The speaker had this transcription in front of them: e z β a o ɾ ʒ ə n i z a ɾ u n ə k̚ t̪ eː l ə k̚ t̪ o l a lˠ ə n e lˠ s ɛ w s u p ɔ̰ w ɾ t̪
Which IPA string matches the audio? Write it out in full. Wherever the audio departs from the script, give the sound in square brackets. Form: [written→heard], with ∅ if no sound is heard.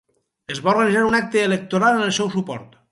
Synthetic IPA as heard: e z β a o ɾ [ʒ→ɣ] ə n i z a ɾ u n [ə→a] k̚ t̪ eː l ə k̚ t̪ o [l→ɾ] a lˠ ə n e lˠ s ɛ w s u p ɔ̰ [w→∅] ɾ t̪